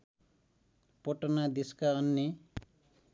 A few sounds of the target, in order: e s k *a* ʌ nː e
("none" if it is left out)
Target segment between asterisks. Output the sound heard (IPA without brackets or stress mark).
a